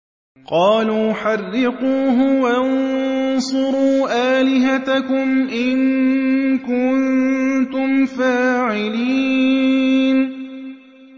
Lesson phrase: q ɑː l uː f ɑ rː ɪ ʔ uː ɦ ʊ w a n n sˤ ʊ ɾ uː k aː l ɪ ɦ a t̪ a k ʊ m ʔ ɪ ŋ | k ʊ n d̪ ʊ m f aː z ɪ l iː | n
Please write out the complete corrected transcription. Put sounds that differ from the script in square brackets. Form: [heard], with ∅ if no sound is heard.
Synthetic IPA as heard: q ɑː l uː [ħ] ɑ rː ɪ [q] uː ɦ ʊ w a n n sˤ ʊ ɾ uː [ʔ] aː l ɪ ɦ a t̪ a k ʊ m ʔ ɪ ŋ | k ʊ n [t̪] ʊ m f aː [ʕ] ɪ l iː | n